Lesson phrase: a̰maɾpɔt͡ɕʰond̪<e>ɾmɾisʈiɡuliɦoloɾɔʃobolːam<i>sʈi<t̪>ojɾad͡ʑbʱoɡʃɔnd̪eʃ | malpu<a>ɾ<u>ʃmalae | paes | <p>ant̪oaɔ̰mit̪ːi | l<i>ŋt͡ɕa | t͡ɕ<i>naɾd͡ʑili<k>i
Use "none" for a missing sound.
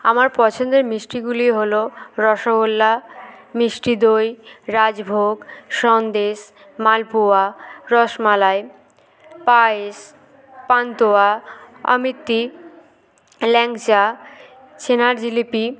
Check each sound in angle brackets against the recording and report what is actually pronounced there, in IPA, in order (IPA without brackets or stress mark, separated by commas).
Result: e, i, d̪, a, ɔ, p, ɛ, e, p